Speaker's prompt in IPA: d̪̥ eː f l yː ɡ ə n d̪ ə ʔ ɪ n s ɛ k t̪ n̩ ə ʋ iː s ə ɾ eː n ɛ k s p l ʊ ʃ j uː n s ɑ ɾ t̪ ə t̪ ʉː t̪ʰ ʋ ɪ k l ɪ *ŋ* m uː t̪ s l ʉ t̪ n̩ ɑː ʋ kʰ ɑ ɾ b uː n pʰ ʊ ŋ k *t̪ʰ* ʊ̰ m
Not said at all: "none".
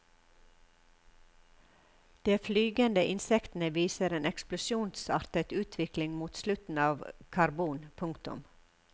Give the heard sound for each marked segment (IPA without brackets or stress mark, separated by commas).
ŋ, t̪